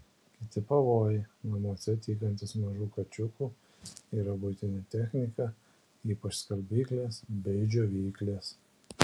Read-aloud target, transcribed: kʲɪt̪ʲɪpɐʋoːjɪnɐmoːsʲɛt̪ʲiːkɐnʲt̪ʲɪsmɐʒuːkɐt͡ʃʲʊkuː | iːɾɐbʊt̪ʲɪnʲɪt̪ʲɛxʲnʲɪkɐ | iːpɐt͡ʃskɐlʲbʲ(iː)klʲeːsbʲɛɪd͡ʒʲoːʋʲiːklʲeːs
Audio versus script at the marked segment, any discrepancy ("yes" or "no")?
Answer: no